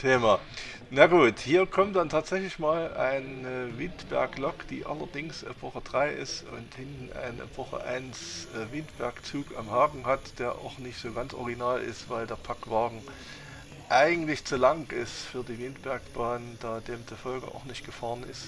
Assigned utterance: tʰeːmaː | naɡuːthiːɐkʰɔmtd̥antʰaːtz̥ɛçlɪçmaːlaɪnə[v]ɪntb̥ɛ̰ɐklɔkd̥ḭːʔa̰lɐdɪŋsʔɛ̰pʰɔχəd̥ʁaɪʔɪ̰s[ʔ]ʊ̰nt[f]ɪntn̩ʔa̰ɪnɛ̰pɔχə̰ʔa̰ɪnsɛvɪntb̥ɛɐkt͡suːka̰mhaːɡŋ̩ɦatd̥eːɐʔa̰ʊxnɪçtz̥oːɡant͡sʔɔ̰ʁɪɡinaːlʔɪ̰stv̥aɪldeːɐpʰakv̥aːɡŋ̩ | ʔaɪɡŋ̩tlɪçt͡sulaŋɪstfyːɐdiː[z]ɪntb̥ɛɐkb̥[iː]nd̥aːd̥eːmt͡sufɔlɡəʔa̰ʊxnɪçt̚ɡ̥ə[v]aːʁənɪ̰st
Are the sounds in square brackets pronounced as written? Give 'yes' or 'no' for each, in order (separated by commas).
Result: yes, no, no, no, no, no